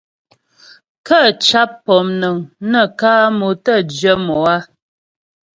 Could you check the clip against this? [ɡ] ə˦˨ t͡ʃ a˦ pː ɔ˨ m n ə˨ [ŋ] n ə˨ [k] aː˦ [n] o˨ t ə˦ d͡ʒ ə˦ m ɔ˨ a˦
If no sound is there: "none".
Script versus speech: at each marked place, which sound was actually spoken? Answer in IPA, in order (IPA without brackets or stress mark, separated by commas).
k, ŋ, k, m